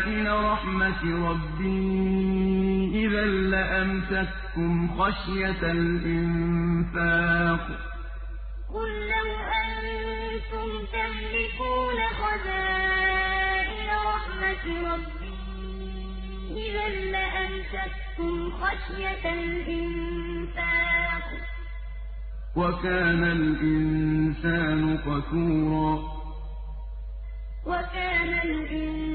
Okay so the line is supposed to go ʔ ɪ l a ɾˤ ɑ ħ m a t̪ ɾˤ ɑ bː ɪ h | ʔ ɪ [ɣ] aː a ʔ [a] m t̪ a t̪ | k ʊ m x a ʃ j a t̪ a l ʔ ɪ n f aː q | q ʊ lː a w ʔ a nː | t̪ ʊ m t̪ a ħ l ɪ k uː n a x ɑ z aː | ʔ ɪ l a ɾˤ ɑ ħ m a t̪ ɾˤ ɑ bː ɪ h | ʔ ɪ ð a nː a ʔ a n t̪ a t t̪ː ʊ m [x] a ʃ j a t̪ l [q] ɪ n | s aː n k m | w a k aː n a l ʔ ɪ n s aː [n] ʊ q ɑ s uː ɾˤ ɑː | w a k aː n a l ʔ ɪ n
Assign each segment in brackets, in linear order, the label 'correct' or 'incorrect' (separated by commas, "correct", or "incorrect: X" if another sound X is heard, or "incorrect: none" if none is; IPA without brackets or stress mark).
incorrect: ð, correct, correct, incorrect: ʔ, correct